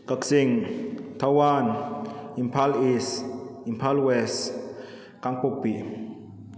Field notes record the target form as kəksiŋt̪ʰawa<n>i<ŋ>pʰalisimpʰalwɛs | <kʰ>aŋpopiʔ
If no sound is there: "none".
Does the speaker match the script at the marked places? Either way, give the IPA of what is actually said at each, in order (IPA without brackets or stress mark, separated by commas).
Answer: n, m, k